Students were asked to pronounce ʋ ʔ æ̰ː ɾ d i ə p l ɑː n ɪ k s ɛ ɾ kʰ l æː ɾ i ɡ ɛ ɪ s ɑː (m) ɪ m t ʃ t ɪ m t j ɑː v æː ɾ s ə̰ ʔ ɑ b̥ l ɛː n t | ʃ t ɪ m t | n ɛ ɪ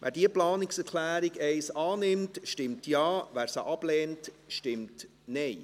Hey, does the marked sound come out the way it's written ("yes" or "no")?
no